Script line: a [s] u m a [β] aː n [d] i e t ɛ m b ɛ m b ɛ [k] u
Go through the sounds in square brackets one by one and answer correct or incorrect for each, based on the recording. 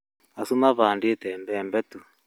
correct, correct, correct, incorrect

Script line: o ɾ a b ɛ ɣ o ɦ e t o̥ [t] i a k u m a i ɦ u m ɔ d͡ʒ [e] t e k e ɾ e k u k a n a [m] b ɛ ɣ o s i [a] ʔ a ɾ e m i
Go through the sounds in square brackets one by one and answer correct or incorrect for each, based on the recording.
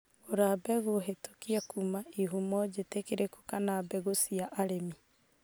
incorrect, correct, incorrect, correct

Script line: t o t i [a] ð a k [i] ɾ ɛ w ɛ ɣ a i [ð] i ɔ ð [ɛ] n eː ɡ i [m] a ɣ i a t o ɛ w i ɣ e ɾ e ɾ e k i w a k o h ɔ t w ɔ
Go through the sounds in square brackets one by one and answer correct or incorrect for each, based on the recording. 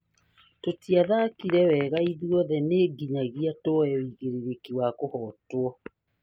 correct, correct, correct, correct, incorrect

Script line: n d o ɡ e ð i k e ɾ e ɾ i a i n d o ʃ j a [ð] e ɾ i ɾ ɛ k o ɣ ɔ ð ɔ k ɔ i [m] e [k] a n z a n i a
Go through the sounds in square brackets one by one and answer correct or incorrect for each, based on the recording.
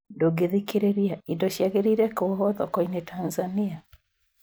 incorrect, incorrect, incorrect

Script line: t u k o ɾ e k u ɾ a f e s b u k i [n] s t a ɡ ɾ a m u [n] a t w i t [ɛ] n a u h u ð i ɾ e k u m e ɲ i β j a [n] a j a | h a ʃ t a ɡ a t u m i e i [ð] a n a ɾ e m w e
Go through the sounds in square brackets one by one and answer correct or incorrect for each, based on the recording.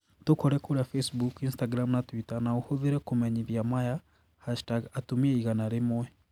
correct, correct, incorrect, incorrect, incorrect

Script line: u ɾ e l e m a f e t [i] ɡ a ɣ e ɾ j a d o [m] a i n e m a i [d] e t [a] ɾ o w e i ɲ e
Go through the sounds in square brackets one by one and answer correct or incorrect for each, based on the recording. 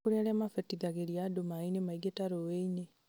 correct, correct, incorrect, correct

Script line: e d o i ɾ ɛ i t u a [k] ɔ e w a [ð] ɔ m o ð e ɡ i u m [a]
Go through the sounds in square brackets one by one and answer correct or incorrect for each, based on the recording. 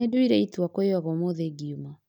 correct, incorrect, correct

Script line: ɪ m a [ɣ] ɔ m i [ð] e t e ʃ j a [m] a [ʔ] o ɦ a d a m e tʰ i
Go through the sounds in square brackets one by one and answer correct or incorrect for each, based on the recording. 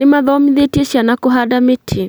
incorrect, correct, incorrect, incorrect

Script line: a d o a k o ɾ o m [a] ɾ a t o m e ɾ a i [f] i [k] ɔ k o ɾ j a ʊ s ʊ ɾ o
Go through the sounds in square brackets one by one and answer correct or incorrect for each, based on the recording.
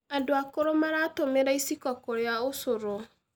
correct, incorrect, correct

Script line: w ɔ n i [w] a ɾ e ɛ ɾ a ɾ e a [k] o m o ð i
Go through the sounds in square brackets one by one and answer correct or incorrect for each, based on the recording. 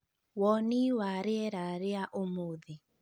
correct, incorrect

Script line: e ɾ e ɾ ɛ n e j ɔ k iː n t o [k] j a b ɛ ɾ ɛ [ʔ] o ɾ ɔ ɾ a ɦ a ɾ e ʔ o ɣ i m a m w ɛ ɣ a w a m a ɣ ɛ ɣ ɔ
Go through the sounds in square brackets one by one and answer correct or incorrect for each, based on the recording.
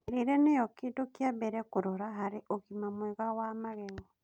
correct, incorrect

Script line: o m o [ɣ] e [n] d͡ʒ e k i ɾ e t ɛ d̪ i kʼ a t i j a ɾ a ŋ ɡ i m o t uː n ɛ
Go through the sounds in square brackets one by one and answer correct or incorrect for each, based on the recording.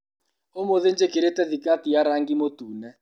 incorrect, correct

